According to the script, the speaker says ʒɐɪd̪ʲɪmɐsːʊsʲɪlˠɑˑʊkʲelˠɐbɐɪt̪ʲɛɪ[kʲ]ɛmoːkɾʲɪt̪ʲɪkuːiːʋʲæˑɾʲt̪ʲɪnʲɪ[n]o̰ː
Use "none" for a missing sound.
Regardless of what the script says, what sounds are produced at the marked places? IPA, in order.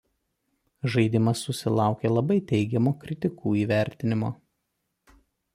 ɡʲ, m

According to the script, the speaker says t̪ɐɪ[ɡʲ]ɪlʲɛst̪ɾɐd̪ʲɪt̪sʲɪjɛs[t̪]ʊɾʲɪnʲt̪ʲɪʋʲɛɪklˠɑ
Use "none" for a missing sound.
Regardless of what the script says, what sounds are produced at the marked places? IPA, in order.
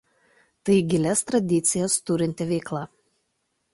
ɡʲ, t̪

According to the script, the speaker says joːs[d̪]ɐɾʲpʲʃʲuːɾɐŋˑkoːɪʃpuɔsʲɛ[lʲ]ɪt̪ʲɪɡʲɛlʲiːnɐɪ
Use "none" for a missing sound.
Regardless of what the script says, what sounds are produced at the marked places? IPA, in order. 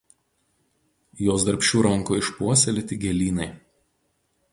d̪, lʲ

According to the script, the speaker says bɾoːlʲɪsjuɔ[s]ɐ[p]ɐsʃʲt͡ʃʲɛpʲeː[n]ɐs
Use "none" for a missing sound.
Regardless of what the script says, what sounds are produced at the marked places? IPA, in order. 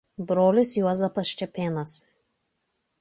z, p, n

